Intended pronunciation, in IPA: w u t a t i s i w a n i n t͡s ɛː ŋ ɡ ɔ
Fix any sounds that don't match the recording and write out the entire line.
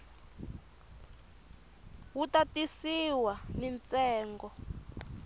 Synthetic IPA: w u t a t i s i w a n i n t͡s ɛː ŋ ɡ ɔ